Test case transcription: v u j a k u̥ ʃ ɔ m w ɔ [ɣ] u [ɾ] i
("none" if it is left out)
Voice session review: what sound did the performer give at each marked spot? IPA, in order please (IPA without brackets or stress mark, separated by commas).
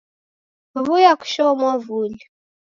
v, l